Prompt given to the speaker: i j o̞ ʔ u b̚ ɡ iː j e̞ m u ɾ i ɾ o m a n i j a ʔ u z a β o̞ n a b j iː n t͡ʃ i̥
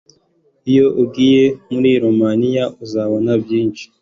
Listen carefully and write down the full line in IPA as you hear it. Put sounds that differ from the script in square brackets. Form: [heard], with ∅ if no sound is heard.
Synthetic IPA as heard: i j o̞ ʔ u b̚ ɡ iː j e̞ m u ɾ i ɾ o m a n i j a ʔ u z a β o̞ n a b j iː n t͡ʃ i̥